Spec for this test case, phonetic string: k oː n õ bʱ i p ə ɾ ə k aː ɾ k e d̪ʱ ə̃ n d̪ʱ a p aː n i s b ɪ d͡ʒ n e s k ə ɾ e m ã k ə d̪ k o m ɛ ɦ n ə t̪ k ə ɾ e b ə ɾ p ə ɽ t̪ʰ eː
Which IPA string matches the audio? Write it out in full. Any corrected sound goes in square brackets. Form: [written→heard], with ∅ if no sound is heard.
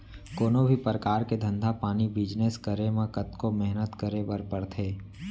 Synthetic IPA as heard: k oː n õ bʱ i p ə ɾ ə k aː ɾ k e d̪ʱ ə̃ n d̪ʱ a p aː n i [s→∅] b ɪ d͡ʒ n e s k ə ɾ e m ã k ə [d̪→t̪] k o m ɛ ɦ n ə t̪ k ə ɾ e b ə ɾ p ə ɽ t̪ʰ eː